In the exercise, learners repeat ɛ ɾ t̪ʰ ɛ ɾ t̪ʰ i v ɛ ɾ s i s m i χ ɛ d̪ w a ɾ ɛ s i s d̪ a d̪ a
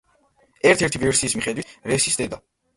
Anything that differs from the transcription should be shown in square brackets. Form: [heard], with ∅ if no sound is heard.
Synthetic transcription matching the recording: ɛ ɾ t̪ʰ ɛ ɾ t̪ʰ i v ɛ ɾ s [iː] s m i χ ɛ d̪ w [i] ɾ ɛ s i s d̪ [ɛ] d̪ a